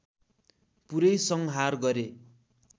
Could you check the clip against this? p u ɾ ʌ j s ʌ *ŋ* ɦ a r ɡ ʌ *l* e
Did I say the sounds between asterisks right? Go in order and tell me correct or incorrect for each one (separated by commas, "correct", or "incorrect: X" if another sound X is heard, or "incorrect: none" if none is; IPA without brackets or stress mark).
correct, incorrect: ɾ